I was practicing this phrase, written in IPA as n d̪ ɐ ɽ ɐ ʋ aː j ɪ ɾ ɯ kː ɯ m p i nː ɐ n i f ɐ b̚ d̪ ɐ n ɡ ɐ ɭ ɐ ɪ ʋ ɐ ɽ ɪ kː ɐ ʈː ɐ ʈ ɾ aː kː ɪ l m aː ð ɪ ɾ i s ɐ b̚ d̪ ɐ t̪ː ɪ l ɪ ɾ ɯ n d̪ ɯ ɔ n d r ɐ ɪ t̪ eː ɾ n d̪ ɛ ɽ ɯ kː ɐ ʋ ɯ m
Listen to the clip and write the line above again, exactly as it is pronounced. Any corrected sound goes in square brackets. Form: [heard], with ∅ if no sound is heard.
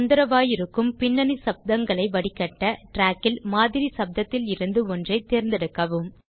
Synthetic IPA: n d̪ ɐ [ɾ] ɐ ʋ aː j ɪ ɾ ɯ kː ɯ m p [ɪ] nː ɐ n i [s] ɐ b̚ d̪ ɐ [ŋ] ɡ ɐ ɭ ɐ ɪ ʋ ɐ ɽ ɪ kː ɐ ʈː ɐ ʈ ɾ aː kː ɪ l m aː ð ɪ ɾ i s ɐ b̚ d̪ ɐ t̪ː ɪ l ɪ ɾ ɯ n d̪ ɯ ɔ n d r ɐ ɪ t̪ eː ɾ n d̪ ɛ ɽ ɯ kː ɐ ʋ ɯ m